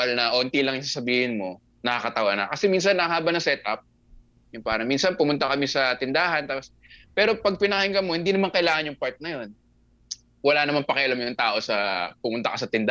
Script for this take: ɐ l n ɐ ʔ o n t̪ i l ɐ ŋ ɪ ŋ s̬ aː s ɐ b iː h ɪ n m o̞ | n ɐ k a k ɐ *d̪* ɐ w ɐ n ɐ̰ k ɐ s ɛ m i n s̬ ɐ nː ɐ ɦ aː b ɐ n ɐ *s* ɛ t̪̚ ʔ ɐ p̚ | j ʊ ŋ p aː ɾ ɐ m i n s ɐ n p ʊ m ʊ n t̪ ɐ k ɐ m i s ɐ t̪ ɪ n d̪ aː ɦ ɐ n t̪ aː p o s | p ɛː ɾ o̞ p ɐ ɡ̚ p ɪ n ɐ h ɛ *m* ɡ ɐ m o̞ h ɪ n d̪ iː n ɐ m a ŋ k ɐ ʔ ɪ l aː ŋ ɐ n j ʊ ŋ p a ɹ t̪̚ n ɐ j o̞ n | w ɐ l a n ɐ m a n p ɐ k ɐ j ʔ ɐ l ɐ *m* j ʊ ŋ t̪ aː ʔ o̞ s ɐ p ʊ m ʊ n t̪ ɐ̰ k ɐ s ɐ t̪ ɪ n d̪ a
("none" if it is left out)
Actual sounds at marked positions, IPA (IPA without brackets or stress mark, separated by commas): t̪, s, ŋ, m